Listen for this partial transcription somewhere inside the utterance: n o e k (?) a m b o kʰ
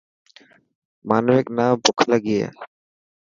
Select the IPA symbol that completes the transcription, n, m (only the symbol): n